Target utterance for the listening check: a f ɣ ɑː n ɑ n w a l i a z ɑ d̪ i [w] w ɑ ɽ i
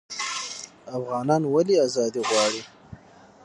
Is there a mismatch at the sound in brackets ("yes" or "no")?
yes